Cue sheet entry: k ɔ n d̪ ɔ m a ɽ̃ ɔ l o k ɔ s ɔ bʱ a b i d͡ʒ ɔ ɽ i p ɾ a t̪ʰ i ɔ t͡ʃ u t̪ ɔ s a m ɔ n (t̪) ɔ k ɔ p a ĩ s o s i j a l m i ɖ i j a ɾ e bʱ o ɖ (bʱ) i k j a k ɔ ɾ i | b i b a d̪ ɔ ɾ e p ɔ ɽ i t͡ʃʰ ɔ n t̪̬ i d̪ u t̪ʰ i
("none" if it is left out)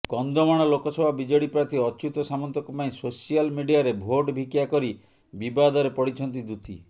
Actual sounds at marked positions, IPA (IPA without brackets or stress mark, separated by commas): t̪, bʱ